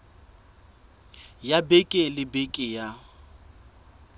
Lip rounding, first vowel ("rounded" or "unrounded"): unrounded